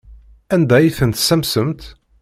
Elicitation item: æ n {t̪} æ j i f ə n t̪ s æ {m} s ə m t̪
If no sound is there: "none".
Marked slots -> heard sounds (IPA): d̪, m

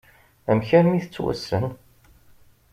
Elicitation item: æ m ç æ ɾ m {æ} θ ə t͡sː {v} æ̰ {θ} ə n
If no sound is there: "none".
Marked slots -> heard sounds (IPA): i, w, s

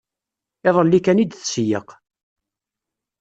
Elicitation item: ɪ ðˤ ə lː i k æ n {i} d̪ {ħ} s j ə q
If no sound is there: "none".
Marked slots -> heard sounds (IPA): i, θ

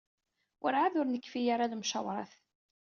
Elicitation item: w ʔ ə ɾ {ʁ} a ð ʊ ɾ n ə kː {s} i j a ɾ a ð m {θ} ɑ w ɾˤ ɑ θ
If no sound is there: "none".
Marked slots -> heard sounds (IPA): ʕ, f, ʃ

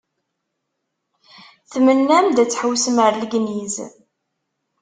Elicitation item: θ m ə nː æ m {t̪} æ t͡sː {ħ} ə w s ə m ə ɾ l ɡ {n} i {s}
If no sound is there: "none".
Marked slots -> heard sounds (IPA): d̪, ħ, n, z

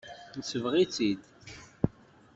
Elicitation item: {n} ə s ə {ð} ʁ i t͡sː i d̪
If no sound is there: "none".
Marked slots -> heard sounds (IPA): n, v

